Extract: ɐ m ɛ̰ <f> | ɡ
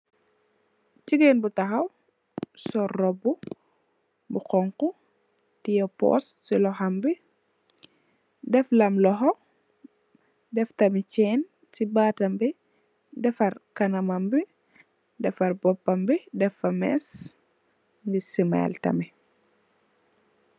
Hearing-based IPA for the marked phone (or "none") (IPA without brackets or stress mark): s